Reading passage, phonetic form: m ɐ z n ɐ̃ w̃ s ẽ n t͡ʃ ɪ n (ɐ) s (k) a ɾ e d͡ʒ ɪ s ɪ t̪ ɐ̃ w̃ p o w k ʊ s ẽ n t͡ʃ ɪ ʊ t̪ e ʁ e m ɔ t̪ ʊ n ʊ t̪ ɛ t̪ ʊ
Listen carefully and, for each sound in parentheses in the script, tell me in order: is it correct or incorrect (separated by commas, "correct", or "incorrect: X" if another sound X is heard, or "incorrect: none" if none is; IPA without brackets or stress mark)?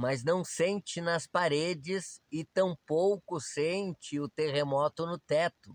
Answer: correct, incorrect: p